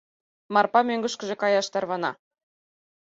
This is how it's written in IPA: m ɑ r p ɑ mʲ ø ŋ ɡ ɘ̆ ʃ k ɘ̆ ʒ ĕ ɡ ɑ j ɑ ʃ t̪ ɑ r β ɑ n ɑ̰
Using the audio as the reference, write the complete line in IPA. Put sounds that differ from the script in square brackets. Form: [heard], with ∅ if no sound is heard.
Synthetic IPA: m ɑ r p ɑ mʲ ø ŋ ɡ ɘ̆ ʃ k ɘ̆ ʒ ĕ [k] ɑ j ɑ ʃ t̪ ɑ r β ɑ n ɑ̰